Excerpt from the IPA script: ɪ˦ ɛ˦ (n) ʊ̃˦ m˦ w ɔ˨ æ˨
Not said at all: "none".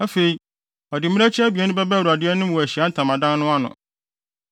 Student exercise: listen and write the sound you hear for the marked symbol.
n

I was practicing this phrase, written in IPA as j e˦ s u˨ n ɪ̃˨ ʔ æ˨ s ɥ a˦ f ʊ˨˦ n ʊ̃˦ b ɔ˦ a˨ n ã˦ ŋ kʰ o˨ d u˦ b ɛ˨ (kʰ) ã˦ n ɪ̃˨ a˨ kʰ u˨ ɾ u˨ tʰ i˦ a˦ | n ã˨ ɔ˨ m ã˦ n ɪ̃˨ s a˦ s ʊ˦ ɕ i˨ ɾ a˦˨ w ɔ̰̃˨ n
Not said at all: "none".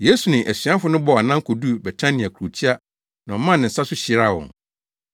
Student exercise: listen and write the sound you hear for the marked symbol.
tʰ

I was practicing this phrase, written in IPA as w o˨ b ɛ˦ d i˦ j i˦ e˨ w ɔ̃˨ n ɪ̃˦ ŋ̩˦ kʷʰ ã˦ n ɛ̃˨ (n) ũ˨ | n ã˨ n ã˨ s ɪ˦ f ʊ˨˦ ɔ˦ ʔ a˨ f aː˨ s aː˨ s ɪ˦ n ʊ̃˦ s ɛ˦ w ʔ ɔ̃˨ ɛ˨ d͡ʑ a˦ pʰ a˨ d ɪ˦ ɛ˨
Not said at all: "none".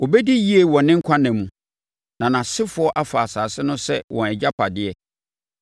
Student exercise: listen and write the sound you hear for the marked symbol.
m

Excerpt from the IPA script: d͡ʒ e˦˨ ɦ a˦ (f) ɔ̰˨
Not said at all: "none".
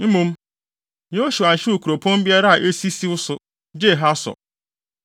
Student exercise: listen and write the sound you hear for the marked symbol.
s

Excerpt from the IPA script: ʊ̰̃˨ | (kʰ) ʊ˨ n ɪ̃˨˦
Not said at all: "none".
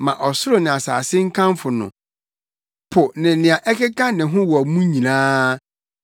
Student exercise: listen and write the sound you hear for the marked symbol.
pʰ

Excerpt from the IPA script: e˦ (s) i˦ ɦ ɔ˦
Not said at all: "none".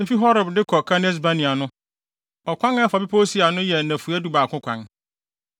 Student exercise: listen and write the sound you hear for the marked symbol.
f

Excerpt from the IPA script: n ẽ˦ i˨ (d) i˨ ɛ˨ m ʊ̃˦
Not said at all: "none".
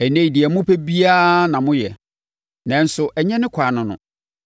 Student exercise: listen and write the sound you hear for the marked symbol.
d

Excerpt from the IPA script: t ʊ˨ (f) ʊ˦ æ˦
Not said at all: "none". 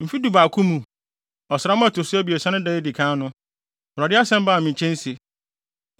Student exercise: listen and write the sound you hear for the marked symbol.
s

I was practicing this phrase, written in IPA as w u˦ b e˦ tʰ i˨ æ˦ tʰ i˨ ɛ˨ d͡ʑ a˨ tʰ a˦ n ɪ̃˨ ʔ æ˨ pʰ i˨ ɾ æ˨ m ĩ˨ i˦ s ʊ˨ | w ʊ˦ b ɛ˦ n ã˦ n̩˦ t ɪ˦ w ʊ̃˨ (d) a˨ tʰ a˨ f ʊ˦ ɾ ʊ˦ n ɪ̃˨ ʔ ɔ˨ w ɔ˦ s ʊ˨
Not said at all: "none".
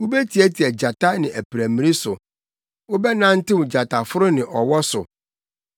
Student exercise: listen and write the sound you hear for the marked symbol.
d͡ʑ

